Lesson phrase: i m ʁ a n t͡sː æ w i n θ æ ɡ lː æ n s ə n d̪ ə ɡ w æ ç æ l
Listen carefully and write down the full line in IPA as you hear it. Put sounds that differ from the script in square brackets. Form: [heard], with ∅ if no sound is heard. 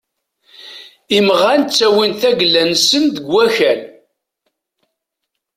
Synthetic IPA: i m ʁ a n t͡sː æ w i n θ æ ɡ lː æ n s ə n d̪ ə ɡ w æ ç æ l

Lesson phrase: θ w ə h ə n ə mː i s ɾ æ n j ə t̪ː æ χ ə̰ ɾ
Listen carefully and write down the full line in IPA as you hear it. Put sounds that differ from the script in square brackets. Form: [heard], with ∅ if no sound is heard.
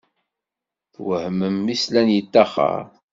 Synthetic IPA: θ w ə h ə [m] ə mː i s [l] æ n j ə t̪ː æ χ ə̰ ɾ

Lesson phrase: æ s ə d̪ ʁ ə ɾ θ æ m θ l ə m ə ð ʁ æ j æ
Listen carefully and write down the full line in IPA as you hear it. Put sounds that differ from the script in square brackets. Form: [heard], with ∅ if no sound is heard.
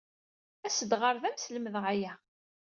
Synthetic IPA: æ s ə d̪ ʁ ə ɾ [ð] æ m [s] l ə m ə ð ʁ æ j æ

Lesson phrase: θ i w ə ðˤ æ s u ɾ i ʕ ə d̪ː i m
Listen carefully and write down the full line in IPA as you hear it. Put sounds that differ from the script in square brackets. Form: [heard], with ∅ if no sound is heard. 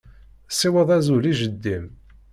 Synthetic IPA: [s] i w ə ðˤ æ [z] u [l] i [ʒ] ə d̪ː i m

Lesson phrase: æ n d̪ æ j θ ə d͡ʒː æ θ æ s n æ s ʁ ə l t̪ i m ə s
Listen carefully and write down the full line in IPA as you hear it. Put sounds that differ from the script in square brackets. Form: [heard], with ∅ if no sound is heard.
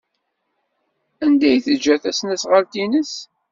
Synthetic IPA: æ n d̪ æ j θ ə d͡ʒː æ θ æ s n æ s ʁ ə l t̪ i [n] ə s

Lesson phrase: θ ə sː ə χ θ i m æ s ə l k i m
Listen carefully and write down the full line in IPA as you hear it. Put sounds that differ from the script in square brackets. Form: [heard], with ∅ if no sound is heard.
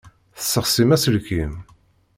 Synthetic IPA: θ ə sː ə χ [s] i m æ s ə l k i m

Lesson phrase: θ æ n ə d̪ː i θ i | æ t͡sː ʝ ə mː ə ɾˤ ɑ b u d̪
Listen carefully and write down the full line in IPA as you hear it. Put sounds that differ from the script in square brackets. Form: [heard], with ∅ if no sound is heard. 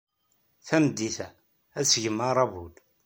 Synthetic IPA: θ æ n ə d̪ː i θ [æ] | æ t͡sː ʝ ə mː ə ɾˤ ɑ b u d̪

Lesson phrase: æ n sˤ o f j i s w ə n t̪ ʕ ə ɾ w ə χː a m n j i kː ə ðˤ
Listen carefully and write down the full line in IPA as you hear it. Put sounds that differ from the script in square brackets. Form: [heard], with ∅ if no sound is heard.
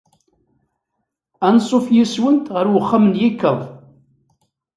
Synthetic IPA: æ n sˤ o f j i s w ə n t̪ [ʁ] ə ɾ w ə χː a m n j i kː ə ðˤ

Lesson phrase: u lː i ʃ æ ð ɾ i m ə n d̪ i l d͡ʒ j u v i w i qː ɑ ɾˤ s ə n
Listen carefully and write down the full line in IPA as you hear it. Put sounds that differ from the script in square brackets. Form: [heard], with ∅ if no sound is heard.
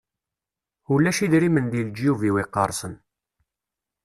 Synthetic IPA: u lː [æ] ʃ [i] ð ɾ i m ə n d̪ i l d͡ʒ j u v i w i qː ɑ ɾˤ s ə n

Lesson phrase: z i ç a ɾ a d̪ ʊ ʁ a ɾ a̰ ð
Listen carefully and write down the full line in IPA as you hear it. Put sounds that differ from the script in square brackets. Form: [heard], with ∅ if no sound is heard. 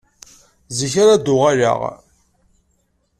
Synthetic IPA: z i ç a ɾ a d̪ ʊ ʁ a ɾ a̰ [ʁ]

